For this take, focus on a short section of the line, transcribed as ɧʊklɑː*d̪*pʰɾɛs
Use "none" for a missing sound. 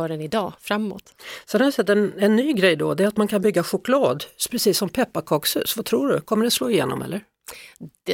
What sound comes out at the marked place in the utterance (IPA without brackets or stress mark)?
d̪